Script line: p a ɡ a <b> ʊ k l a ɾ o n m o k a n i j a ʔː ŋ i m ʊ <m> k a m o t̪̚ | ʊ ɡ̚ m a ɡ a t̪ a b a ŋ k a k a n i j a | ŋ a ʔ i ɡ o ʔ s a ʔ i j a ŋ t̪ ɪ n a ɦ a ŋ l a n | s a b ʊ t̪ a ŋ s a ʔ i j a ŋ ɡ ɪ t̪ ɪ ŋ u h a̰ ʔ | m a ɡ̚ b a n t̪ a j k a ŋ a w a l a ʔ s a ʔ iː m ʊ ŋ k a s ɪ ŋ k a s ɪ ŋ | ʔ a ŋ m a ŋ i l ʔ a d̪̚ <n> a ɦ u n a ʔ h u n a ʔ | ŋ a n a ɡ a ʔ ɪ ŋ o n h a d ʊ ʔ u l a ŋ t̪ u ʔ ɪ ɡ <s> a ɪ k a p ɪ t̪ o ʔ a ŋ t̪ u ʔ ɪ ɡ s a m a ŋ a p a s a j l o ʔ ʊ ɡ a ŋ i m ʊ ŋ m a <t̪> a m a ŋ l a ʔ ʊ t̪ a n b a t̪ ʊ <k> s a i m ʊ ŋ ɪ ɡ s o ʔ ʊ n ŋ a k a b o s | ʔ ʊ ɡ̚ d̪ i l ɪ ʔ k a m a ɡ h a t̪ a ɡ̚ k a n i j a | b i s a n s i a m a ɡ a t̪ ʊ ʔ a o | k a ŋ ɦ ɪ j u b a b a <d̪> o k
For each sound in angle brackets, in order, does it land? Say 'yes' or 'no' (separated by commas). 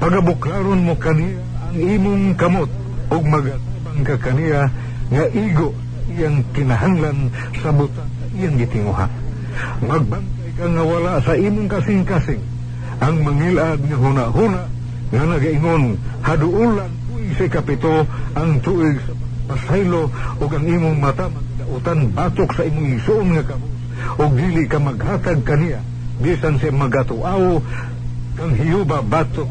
yes, no, no, yes, yes, yes, no